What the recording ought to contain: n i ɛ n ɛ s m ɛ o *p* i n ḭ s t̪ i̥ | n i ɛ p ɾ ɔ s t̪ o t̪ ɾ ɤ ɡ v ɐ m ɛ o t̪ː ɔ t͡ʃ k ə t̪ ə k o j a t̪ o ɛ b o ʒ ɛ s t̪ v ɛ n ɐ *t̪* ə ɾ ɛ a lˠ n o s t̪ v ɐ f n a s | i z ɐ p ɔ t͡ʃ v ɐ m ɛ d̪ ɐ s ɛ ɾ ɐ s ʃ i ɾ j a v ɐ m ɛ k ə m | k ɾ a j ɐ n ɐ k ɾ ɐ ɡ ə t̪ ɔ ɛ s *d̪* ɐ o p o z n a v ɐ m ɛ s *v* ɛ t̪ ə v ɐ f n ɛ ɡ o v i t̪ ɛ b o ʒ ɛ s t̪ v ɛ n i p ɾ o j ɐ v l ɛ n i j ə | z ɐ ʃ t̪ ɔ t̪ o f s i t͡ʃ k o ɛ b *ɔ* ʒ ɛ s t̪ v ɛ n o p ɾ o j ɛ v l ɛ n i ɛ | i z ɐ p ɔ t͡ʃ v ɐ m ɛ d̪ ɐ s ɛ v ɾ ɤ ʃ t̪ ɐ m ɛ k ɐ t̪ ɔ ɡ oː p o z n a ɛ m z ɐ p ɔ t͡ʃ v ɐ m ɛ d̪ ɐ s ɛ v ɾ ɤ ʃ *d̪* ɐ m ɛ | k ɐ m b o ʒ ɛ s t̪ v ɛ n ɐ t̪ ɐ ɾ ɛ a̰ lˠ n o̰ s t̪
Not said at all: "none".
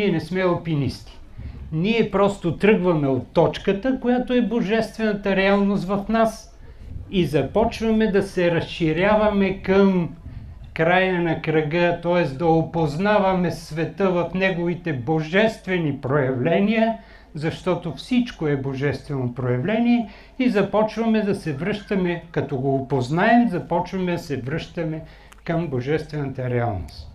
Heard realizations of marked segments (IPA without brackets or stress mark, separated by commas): p, t̪, d̪, v, o, t̪